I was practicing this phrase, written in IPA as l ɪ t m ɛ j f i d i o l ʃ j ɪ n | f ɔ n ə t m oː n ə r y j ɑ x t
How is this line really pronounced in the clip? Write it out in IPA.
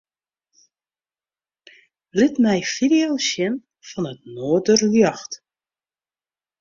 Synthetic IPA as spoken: l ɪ t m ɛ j f i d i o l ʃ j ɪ n | f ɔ n ə t n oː d ə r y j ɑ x t